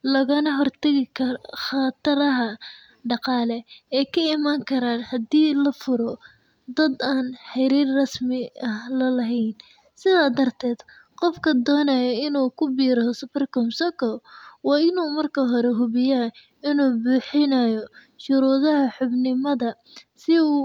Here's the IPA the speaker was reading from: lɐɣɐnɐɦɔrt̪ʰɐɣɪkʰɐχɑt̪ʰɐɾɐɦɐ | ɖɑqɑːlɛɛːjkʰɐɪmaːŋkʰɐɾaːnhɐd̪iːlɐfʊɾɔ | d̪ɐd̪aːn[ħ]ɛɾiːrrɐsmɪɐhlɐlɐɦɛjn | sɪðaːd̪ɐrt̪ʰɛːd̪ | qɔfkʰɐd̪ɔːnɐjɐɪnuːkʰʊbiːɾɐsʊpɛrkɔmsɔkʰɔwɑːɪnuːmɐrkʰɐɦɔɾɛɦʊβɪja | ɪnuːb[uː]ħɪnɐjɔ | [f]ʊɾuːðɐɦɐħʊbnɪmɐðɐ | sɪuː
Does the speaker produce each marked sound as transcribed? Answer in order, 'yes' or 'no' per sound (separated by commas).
yes, yes, no